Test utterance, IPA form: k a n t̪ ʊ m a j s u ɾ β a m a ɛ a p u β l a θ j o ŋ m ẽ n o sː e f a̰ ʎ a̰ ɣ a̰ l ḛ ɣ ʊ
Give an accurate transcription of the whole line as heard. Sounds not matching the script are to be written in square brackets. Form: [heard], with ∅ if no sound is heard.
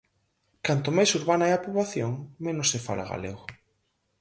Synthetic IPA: k a n t̪ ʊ m a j s u ɾ β a [n] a ɛ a p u β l a θ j o ŋ m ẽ n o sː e f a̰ [l] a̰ ɣ a̰ l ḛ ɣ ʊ